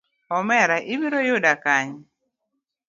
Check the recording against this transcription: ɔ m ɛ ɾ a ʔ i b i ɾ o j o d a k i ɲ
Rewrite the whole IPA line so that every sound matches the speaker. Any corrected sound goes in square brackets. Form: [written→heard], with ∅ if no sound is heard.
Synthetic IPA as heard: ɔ m ɛ ɾ a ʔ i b i ɾ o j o d a k [i→a] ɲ